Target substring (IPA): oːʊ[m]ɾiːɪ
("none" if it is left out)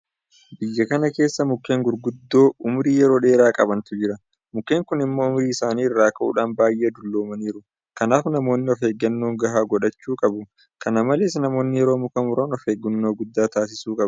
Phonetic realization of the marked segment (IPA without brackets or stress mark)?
m